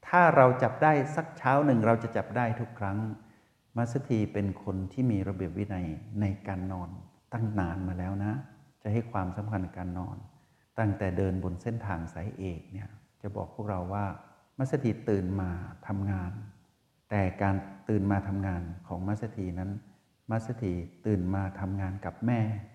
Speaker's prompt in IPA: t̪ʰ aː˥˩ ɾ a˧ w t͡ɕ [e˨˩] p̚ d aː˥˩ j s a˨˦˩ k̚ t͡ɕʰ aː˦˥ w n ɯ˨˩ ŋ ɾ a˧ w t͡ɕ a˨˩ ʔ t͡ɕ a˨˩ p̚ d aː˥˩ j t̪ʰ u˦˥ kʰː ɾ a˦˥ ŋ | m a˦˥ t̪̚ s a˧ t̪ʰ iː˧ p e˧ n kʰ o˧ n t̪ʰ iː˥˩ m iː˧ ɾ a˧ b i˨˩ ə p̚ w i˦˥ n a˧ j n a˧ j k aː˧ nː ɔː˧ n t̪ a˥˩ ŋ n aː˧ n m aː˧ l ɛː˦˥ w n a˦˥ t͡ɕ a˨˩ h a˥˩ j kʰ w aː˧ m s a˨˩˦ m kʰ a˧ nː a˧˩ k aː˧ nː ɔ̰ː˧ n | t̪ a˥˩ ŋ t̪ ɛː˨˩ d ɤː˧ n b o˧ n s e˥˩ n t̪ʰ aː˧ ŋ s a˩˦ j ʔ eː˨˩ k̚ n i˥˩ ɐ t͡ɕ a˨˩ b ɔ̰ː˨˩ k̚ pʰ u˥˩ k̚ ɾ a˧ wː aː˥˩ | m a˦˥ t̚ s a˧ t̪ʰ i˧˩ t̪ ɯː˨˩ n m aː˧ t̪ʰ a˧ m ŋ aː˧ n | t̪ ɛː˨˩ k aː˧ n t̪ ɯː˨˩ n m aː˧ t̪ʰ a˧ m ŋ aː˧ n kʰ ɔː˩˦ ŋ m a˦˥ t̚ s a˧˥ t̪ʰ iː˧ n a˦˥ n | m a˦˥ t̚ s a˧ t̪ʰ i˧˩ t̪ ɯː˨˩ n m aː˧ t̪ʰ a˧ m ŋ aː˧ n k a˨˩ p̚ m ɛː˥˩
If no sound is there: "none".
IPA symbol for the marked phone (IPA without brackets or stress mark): a˨˩